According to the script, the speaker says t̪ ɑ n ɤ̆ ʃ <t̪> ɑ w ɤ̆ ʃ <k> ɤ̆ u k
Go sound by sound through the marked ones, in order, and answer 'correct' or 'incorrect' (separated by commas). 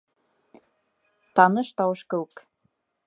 correct, correct